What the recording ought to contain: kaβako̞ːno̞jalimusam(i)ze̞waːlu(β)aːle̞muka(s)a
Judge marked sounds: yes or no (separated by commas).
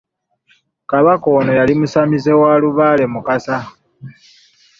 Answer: yes, yes, yes